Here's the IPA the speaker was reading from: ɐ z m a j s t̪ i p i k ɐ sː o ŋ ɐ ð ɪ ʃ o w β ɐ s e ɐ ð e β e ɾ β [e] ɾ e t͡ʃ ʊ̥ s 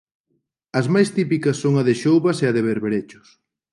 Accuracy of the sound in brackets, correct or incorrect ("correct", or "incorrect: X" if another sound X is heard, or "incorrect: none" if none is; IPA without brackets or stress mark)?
correct